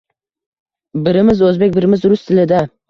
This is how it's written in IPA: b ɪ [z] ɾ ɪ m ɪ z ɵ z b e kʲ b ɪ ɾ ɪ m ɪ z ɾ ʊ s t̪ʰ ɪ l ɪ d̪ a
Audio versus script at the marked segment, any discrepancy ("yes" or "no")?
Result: yes